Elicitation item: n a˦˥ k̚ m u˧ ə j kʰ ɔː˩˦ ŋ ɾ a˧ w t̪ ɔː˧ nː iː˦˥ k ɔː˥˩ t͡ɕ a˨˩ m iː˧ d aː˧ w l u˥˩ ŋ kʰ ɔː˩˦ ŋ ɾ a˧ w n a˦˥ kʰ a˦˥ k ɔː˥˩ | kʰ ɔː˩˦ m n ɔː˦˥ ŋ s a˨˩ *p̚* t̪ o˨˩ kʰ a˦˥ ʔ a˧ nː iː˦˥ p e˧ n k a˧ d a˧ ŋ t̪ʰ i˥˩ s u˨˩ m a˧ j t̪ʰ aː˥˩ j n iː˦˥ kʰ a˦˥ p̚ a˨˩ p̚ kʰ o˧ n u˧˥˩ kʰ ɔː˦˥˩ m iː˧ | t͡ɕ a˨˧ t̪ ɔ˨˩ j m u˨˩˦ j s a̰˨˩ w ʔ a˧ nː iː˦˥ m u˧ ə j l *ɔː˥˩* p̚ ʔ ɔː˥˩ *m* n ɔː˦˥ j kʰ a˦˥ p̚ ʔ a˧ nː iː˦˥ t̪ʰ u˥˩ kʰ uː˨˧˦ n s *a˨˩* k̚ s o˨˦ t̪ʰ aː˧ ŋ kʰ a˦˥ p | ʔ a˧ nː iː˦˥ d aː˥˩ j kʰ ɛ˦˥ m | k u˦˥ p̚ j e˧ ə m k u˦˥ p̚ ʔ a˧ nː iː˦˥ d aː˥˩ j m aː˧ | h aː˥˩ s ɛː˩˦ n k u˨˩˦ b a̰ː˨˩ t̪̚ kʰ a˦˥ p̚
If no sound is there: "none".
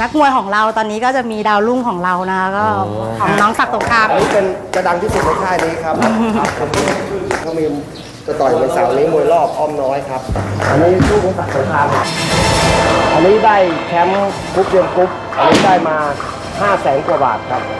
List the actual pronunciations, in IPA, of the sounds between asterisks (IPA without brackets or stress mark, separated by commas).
k̚, ɔː˥˩, m, a˨˩